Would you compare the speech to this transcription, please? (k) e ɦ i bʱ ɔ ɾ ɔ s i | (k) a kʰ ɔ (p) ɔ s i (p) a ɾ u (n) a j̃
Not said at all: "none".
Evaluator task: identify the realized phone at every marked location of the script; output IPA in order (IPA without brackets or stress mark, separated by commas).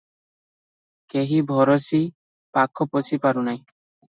k, p, p, p, n